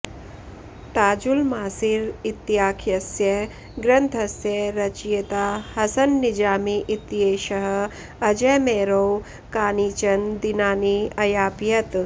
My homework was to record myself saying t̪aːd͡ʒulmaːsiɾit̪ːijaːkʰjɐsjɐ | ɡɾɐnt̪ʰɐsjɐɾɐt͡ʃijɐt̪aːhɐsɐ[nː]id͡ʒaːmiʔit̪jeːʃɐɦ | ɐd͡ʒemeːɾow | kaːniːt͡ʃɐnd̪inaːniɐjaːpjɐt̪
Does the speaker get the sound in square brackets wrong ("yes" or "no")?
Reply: no